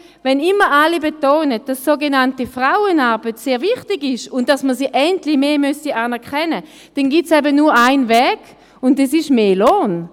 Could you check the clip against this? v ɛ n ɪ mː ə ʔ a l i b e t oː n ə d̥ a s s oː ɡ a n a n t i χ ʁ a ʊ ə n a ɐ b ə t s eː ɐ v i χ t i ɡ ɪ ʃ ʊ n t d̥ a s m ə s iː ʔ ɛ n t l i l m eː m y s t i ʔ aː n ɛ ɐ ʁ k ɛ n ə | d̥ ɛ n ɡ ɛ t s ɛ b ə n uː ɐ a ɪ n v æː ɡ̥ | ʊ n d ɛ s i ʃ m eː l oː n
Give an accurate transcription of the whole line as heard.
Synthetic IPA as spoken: v ɛ n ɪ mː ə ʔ a l i b e t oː n ə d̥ a s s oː ɡ e n a n t i f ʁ a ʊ ə n a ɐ b ə t s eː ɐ v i χ t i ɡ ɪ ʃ ʊ n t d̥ a s m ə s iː ʔ ɛ n t l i m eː m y s t i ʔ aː n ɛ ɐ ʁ k ɛ n ə | d̥ ɛ n ɡ i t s ɛ b ə n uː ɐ a ɪ n v ɛː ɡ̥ | ʊ n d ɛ s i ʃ m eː l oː n